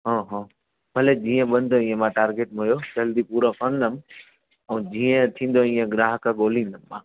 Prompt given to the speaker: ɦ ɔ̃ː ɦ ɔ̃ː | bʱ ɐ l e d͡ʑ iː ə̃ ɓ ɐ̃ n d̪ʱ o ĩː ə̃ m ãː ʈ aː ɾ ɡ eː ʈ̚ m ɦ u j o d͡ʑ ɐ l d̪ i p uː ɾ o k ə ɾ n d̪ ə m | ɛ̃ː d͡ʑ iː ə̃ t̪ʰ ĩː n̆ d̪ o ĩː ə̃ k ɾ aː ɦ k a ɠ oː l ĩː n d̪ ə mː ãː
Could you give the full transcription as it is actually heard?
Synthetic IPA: ɦ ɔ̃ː ɦ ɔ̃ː | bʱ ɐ l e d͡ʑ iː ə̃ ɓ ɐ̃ n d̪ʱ o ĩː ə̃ m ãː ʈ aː ɾ ɡ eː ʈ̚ m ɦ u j o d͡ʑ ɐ l d̪ i p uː ɾ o k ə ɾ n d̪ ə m | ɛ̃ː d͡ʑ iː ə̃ t̪ʰ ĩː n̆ d̪ o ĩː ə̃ ɡ ɾ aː ɦ k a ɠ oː l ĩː n d̪ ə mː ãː

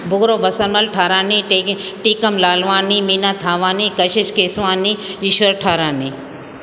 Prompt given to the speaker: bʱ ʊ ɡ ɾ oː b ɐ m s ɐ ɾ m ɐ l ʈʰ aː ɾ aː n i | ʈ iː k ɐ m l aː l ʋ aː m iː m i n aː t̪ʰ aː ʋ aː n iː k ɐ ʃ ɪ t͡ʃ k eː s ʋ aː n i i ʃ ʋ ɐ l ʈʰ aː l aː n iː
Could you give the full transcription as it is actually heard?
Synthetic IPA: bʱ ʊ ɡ ɾ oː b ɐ s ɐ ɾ m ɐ l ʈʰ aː ɾ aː n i | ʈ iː k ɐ m l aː l ʋ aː n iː m i n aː t̪ʰ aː ʋ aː n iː k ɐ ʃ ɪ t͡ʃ k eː s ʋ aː n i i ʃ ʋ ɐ ɾ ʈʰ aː ɾ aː n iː

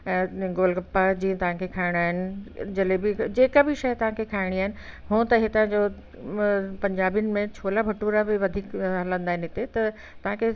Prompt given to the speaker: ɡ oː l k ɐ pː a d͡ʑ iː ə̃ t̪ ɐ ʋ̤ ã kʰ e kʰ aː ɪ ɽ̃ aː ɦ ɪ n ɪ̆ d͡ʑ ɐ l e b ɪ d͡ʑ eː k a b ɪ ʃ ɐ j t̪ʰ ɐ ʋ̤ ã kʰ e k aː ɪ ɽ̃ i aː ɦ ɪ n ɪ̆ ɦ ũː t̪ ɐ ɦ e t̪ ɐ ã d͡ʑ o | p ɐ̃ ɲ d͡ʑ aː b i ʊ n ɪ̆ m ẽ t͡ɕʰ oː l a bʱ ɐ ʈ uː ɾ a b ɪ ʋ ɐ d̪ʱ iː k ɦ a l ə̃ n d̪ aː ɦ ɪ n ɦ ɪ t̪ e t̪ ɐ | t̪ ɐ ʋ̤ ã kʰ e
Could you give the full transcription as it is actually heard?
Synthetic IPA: ɡ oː l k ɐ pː a d͡ʑ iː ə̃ t̪ ɐ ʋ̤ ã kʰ e kʰ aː ɪ ɽ̃ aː ɦ ɪ n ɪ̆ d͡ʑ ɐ l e b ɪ d͡ʑ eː k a b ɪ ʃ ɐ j t̪ ɐ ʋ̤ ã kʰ e kʰ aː ɪ ɽ̃ i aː ɦ ɪ n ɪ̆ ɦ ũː t̪ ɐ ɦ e t̪ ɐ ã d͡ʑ o | p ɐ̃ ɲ d͡ʑ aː b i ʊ n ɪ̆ m ẽ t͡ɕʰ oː l a bʱ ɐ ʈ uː ɾ a b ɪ ʋ ɐ d̪ʱ iː k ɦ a l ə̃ n d̪ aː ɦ ɪ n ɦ ɪ t̪ e t̪ ɐ | t̪ ɐ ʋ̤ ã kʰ e

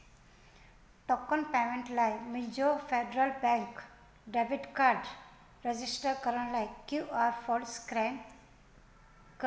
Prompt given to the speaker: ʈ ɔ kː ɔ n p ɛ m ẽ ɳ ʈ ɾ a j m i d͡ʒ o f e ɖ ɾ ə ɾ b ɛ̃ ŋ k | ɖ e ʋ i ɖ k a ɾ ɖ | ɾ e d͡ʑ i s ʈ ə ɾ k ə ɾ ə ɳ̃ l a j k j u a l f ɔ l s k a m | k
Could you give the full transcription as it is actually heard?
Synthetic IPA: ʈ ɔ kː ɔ n p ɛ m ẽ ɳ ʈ l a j m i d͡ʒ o f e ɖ ɾ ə l b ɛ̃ ŋ k | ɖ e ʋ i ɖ k a ɾ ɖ | ɾ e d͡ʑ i s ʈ ə ɾ k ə ɾ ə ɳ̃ l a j k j u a ɾ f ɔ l s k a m | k

